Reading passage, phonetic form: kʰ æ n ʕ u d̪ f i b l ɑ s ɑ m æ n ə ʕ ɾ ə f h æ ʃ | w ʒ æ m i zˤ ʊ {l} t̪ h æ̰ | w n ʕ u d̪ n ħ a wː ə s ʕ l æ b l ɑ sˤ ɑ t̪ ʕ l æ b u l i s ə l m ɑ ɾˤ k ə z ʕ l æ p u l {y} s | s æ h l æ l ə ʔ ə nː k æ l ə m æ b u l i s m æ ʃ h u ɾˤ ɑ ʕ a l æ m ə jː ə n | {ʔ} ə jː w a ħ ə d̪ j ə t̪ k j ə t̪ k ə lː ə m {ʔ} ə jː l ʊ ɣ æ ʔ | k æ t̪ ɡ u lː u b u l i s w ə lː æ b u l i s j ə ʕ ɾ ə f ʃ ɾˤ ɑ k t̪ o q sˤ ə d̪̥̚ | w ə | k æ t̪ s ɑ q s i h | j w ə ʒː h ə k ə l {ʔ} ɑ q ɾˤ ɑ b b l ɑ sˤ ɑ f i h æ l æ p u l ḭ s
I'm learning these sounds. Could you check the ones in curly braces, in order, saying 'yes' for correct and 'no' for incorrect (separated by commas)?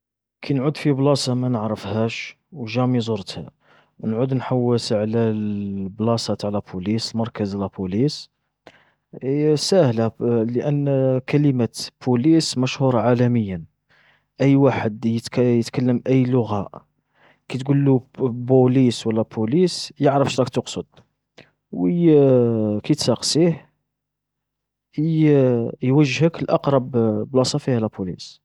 no, no, yes, yes, yes